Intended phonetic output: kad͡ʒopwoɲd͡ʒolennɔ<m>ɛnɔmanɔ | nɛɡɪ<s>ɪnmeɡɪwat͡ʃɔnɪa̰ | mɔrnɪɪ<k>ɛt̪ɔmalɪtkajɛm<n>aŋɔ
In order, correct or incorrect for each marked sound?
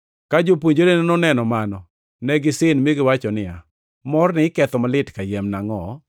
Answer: incorrect: n, correct, correct, correct

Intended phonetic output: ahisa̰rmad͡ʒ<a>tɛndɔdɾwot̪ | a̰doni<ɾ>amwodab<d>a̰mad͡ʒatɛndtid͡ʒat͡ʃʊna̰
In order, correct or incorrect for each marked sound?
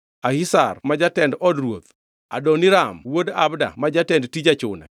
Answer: correct, correct, correct

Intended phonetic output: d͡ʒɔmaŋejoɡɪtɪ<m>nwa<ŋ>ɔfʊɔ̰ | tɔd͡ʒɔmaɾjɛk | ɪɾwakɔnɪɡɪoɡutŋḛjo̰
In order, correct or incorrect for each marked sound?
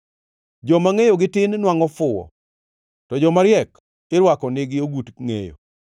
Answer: incorrect: n, correct

